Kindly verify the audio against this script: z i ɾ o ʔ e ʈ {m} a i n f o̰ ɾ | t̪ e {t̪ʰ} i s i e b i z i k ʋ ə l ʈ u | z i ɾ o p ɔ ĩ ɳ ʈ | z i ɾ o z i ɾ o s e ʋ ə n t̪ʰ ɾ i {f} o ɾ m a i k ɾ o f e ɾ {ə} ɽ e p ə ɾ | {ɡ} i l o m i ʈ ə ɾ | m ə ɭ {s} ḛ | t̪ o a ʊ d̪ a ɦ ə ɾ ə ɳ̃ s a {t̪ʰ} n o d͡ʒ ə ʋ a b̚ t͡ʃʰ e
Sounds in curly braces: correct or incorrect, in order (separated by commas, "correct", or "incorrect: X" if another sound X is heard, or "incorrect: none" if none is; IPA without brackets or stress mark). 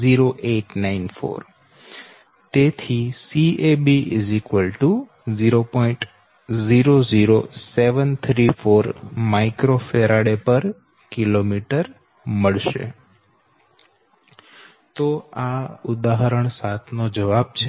incorrect: n, correct, correct, incorrect: a, incorrect: k, incorrect: ʃ, correct